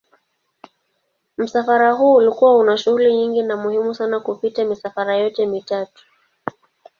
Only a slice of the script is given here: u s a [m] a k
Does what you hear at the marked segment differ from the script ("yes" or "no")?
yes